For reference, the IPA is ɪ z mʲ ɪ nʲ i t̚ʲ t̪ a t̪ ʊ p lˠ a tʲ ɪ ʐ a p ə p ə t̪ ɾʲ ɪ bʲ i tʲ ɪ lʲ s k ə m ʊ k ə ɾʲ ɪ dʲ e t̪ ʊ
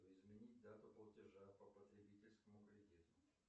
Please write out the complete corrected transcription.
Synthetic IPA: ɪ z mʲ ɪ nʲ i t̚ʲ d̪ a t̪ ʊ p lˠ ə tʲ ɪ ʐ a p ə p ə t̪ ɾʲ ɪ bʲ i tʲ ɪ lʲ s k ə m ʊ k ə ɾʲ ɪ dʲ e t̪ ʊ